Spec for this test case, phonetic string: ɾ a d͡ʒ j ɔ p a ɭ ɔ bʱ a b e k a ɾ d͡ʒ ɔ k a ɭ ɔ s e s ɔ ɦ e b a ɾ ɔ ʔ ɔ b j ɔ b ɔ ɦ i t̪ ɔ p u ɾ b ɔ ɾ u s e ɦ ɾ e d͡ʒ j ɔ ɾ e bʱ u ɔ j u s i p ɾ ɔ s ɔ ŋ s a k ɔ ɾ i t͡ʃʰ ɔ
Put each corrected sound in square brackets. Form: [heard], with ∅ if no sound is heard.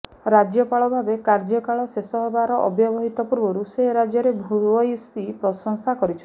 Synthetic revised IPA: ɾ a d͡ʒ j ɔ p a ɭ ɔ bʱ a b e k a ɾ d͡ʒ ɔ k a ɭ ɔ s e s ɔ ɦ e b a ɾ ɔ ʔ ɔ b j ɔ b ɔ ɦ i t̪ ɔ p u ɾ b ɔ ɾ u s e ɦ ɾ [a] d͡ʒ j ɔ ɾ e bʱ u ɔ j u s i p ɾ ɔ s ɔ ŋ s a k ɔ ɾ i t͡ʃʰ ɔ